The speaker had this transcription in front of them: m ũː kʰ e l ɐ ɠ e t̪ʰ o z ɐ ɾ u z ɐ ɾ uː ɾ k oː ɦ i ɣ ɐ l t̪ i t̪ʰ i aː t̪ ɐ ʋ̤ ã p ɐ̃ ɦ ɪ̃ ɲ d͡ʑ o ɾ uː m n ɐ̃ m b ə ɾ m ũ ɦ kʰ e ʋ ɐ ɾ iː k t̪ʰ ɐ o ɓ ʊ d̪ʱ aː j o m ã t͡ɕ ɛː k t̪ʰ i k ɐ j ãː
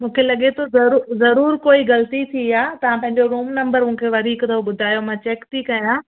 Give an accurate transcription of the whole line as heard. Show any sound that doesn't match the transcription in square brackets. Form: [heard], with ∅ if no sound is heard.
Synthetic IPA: m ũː kʰ e l ɐ ɠ e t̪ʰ o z ɐ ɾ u z ɐ ɾ uː ɾ k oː [∅] i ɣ ɐ l t̪ i t̪ʰ i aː t̪ ɐ ʋ̤ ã p ɐ̃ ɦ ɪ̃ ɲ d͡ʑ o ɾ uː m n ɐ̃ m b ə ɾ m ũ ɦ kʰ e ʋ ɐ ɾ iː k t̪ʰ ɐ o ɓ ʊ d̪ʱ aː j o m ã t͡ɕ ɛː k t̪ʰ i k ɐ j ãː

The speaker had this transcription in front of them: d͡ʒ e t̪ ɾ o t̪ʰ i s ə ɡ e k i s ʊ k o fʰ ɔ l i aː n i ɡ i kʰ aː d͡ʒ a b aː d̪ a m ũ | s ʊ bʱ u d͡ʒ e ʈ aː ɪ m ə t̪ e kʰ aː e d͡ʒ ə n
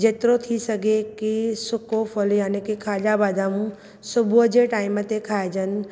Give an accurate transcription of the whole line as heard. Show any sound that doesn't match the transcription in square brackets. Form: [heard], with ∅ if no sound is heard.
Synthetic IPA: d͡ʒ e t̪ ɾ o t̪ʰ i s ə ɡ e k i s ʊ k o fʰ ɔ l [j] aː n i [k] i kʰ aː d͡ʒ a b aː d̪ a m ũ | s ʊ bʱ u d͡ʒ e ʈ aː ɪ m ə t̪ e kʰ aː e d͡ʒ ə n

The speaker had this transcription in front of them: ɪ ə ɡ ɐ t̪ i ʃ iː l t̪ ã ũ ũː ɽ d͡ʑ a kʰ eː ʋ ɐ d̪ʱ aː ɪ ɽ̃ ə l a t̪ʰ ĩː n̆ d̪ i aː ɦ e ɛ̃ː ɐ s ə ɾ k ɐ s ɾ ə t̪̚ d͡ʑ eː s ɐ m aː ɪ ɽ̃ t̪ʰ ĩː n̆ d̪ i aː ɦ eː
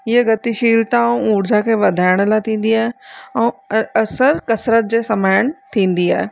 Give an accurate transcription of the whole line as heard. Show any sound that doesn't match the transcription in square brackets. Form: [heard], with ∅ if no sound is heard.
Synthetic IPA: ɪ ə ɡ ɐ t̪ i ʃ iː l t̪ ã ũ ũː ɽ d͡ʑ a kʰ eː ʋ ɐ d̪ʱ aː ɪ ɽ̃ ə l a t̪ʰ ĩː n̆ d̪ i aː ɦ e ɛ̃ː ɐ s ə ɾ k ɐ s ɾ ə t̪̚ d͡ʑ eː s ɐ m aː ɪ ɽ̃ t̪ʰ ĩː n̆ d̪ i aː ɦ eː

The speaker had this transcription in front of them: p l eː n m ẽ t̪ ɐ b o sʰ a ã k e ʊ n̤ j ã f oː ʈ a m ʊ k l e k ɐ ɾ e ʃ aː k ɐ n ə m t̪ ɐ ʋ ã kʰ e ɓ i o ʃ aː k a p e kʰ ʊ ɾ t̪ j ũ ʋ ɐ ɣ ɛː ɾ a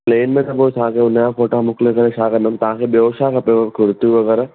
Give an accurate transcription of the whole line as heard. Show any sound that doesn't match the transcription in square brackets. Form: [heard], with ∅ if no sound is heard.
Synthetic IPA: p l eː n m ẽ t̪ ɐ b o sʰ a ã k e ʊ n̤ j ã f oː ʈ a m ʊ k l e k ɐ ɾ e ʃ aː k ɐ n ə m t̪ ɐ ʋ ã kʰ e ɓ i o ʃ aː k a p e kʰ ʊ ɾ t̪ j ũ ʋ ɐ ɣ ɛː ɾ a

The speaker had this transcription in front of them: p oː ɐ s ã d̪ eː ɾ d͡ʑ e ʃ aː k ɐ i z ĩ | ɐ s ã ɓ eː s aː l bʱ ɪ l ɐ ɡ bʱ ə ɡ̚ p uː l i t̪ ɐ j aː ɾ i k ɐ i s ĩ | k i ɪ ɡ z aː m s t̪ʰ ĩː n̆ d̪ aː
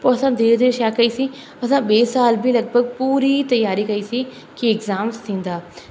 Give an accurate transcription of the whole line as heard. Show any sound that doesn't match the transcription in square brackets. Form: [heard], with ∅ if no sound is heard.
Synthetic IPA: p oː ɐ s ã d̪ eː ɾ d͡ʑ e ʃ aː k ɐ i [s] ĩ | ɐ s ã ɓ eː s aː l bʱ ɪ l ɐ ɡ bʱ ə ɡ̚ p uː [ɾ] i t̪ ɐ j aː ɾ i k ɐ i s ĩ | k i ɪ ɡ z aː m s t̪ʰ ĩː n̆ d̪ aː

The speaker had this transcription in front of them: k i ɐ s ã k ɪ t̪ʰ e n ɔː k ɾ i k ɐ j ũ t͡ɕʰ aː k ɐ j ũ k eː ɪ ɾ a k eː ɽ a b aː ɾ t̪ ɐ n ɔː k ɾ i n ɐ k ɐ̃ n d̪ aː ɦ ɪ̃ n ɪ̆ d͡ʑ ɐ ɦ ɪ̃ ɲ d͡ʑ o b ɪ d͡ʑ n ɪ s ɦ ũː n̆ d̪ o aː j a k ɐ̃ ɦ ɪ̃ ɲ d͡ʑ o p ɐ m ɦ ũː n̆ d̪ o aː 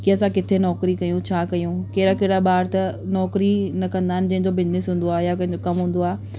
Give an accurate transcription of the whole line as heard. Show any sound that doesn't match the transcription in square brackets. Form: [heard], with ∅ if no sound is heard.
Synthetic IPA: k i ɐ s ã k ɪ t̪ʰ e n ɔː k ɾ i k ɐ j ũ t͡ɕʰ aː k ɐ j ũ k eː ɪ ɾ a k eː ɽ a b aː ɾ t̪ ɐ n ɔː k ɾ i n ɐ k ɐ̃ n d̪ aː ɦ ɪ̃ n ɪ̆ d͡ʑ ɐ ɦ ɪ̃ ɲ d͡ʑ o b ɪ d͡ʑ n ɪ s ɦ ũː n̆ d̪ o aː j a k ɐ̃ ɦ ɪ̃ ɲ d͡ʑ o [k] ɐ m ɦ ũː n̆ d̪ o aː

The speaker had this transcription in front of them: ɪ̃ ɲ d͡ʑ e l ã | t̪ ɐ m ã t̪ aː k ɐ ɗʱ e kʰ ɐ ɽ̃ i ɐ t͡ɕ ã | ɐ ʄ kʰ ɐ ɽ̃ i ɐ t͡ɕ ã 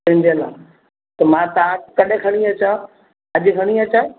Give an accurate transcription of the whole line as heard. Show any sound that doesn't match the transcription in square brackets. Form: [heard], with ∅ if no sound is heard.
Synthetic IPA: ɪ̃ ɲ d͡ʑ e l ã | t̪ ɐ m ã t̪ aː k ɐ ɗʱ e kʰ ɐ ɽ̃ i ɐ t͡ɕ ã | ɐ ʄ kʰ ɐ ɽ̃ i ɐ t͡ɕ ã

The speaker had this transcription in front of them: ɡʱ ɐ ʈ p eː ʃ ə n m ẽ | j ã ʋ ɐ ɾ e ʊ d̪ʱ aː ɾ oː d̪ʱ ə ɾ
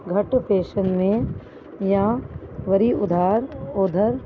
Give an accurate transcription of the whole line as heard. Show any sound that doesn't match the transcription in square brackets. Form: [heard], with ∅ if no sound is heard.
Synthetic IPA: ɡʱ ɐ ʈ p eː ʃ ə n m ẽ | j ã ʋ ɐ ɾ [i] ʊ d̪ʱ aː ɾ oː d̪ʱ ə ɾ

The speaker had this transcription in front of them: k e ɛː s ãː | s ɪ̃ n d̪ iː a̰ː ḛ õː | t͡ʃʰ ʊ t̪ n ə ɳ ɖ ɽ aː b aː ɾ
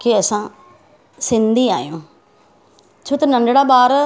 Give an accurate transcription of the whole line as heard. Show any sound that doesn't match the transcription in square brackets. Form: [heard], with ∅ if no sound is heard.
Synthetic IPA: k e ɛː s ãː | s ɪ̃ n d̪ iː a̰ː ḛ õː | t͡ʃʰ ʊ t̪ n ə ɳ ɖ ɽ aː b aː ɾ

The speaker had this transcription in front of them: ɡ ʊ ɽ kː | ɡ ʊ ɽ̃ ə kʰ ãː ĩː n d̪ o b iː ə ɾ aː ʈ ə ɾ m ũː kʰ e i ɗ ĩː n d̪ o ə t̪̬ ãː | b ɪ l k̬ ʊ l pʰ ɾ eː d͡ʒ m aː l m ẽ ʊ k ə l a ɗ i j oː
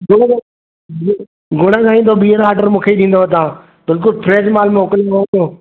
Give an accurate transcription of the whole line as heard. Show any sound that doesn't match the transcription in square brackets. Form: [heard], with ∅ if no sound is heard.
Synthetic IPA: ɡ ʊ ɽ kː | ɡ ʊ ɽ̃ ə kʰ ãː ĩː n d̪ o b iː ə ɾ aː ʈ ə ɾ m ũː kʰ e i ɗ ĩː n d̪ o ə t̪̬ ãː | b ɪ l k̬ ʊ l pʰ ɾ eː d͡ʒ m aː l m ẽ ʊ k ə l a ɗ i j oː

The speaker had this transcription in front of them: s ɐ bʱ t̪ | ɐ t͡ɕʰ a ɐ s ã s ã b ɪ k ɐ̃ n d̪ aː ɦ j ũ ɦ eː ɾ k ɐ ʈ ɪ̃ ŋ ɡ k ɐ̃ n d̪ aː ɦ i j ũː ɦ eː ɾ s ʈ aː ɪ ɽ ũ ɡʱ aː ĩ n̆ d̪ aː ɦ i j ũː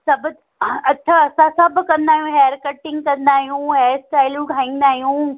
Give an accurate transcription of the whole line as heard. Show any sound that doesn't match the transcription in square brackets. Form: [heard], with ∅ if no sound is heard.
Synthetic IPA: s ɐ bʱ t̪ | ɐ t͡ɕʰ a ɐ s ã s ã b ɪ k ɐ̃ n d̪ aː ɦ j ũ ɦ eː ɾ k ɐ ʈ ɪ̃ ŋ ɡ k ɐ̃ n d̪ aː ɦ i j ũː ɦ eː ɾ s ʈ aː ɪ [l] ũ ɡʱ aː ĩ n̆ d̪ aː ɦ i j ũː

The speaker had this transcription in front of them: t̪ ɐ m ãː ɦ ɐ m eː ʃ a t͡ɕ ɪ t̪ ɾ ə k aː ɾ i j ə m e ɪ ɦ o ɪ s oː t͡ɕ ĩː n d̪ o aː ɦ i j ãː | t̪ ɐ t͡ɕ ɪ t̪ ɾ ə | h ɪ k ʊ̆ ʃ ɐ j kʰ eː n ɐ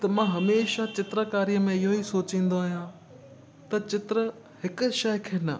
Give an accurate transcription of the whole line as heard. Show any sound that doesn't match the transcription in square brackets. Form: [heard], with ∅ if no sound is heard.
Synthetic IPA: t̪ ɐ m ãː ɦ ɐ m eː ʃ a t͡ɕ ɪ t̪ ɾ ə k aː ɾ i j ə m [ẽ] ɪ ɦ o [i] s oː t͡ɕ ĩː n d̪ o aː ɦ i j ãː | t̪ ɐ t͡ɕ ɪ t̪ ɾ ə | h ɪ k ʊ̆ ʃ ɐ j kʰ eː n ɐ

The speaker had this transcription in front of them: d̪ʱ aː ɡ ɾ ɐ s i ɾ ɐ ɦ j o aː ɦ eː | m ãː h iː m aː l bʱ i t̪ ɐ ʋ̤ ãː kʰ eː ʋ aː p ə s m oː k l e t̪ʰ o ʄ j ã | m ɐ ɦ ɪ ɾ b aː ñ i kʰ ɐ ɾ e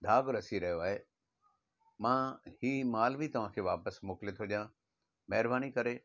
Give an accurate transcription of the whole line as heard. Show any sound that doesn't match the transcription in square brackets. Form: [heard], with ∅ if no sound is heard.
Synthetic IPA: d̪ʱ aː ɡ ɾ ɐ s i ɾ ɐ ɦ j o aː ɦ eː | m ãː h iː m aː l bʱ i t̪ ɐ ʋ̤ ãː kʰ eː ʋ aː p ə s m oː k l e t̪ʰ o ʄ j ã | m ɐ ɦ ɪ ɾ b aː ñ i [k] ɐ ɾ e

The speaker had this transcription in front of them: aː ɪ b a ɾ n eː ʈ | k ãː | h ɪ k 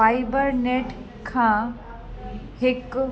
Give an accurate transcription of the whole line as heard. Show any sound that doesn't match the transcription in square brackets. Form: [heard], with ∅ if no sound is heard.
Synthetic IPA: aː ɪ b [ə] ɾ n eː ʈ | [kʰ] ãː | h ɪ k

